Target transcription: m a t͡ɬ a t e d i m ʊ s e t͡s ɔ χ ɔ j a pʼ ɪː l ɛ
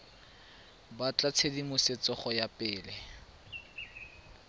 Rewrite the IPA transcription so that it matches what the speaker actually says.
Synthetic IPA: b a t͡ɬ a t͡sʰ e d i m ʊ s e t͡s ɔ χ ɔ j a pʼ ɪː l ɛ

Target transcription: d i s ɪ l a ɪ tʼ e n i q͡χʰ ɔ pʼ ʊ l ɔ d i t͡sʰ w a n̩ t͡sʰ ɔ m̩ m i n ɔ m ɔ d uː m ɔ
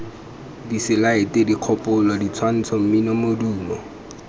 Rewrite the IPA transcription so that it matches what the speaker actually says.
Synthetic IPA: d i s ɪ l a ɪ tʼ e d i q͡χʰ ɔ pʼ ʊ l ɔ d i t͡sʰ w a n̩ t͡sʰ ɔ m̩ m i n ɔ m o d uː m ɔ

